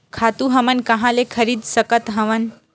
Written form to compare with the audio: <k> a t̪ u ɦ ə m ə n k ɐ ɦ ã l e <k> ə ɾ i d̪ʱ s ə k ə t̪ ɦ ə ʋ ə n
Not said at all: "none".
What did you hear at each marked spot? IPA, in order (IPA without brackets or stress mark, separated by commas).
kʰ, kʰ